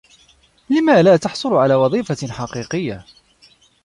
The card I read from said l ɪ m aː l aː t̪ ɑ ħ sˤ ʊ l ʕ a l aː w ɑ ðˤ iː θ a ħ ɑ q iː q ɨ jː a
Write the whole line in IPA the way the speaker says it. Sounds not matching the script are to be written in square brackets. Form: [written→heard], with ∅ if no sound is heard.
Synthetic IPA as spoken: l ɪ m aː l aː t̪ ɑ ħ sˤ ʊ l ʕ a l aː w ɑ ðˤ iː [θ→f] a ħ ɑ q iː q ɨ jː a